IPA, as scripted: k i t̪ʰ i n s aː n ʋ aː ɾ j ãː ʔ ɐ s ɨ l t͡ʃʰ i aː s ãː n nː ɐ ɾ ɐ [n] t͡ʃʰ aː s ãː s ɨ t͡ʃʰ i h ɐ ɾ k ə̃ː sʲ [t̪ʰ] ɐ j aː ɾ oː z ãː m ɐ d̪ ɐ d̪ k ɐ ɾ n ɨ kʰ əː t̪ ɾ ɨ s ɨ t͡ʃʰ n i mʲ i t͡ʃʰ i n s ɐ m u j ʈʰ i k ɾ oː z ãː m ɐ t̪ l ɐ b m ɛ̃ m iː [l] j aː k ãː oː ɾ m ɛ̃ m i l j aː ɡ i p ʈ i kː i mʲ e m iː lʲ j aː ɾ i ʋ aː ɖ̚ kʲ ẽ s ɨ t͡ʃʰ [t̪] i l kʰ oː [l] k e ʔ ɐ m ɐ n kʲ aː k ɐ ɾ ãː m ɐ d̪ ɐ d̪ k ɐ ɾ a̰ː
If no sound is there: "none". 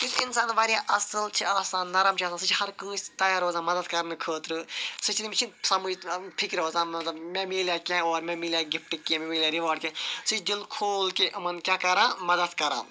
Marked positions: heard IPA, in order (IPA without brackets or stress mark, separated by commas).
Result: m, t̪, l, d̪, l